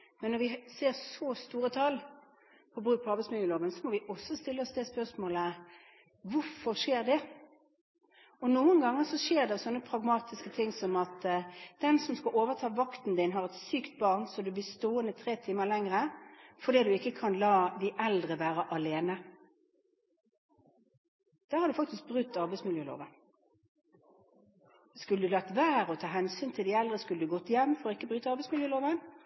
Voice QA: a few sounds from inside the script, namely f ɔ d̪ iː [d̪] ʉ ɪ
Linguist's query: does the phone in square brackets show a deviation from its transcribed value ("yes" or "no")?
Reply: no